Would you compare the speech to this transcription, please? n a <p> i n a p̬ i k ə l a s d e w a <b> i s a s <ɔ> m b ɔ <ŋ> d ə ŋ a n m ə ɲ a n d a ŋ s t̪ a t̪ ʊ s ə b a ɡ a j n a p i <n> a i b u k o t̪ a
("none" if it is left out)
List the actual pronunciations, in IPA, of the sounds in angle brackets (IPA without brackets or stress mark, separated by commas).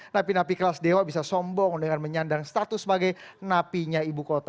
p, b, ɔ, ŋ, ɲ